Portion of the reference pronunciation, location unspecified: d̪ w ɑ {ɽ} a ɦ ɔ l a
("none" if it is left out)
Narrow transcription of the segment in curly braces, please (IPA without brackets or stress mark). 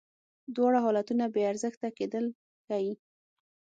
ɽ